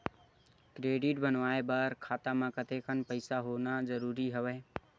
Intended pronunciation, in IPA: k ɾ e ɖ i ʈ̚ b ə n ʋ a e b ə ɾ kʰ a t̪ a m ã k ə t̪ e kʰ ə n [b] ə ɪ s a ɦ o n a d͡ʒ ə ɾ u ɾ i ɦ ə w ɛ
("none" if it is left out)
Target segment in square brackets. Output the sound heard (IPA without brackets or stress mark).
p